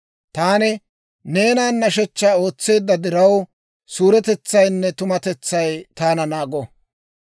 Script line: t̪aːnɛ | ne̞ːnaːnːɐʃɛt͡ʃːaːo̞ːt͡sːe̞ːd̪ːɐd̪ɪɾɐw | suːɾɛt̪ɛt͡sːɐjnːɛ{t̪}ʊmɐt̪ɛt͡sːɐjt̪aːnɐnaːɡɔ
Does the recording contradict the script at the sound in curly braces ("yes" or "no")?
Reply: no